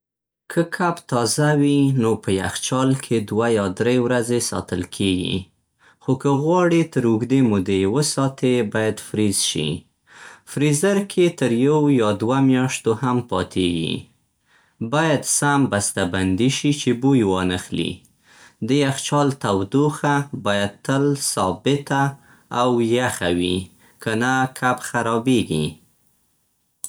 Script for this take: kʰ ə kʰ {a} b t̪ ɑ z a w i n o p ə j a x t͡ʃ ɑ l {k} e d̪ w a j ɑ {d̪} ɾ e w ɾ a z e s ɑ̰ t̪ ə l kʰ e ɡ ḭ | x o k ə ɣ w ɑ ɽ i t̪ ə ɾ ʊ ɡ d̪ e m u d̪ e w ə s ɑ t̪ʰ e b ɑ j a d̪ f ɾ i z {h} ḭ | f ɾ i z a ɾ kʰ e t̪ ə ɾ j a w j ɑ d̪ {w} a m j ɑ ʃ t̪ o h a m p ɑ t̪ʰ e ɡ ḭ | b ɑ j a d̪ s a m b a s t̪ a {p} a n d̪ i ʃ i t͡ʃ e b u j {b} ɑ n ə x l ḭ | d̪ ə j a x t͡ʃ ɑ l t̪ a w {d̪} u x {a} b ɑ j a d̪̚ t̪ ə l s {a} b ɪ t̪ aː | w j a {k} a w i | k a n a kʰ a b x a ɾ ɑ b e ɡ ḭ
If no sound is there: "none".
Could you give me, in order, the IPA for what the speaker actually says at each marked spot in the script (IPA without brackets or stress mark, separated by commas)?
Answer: a, kʰ, d̪, ʃ, w, b, w, d̪, a, ɑ, x